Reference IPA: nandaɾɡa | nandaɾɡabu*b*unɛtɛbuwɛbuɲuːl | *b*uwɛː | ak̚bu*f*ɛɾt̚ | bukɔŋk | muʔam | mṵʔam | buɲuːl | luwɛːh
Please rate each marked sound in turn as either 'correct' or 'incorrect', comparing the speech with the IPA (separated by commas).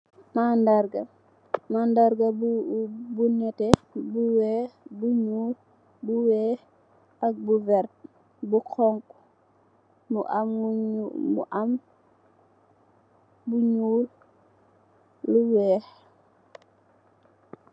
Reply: correct, correct, incorrect